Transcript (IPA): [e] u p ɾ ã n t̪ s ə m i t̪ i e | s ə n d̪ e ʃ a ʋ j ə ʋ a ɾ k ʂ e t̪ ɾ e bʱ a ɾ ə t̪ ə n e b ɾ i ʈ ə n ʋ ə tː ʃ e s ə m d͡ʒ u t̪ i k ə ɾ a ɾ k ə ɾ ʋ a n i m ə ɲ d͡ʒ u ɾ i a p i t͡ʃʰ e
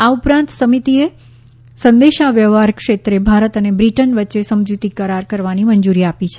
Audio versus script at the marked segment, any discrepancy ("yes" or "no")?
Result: yes